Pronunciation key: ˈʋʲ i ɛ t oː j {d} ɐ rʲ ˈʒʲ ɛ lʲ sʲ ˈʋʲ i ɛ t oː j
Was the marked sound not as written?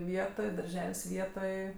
no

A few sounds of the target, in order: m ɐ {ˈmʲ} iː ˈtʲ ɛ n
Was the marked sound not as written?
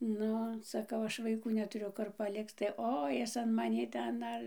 yes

